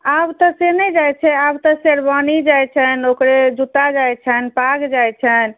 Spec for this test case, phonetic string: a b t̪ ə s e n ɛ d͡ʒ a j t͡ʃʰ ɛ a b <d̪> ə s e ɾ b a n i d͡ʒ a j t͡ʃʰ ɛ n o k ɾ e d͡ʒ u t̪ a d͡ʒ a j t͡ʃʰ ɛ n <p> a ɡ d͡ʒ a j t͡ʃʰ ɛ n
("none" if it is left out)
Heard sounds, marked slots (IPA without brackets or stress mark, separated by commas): t̪, p